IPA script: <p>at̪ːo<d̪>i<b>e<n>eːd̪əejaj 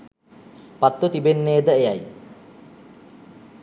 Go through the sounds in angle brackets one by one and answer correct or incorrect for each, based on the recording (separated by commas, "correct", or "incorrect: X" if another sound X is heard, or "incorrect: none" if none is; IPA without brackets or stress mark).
correct, incorrect: t̪, correct, incorrect: nː